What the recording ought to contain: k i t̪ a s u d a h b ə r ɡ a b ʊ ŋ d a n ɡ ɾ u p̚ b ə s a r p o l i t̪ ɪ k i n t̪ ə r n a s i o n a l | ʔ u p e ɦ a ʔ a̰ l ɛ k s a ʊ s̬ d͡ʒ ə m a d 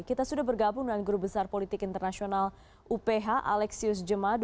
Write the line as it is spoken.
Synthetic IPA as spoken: k i t̪ a s u d a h b ə r ɡ a b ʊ ŋ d a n ɡ ɾ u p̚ b ə s a r p o l i t̪ ɪ k i n t̪ ə r n a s i o n a l | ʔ u p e ɦ a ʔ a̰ l ɛ k s i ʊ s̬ d͡ʒ ə m a d